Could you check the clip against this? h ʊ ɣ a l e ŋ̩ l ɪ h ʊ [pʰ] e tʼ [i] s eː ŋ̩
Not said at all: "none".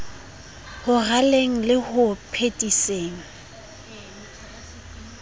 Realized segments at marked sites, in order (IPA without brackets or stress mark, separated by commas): pʰ, i